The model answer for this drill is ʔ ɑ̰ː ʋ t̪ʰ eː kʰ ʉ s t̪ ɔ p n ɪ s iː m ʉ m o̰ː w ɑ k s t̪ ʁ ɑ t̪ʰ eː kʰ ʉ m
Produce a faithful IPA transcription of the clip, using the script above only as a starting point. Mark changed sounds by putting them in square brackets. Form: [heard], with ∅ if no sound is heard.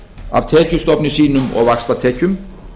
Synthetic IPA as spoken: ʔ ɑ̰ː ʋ t̪ʰ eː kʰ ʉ s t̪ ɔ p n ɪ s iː [n] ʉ m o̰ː [ʋ] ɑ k s t̪ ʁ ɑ t̪ʰ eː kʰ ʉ m